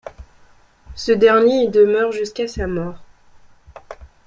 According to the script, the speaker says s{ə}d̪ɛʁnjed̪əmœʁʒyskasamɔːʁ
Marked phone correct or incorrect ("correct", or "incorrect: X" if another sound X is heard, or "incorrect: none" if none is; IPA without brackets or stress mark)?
correct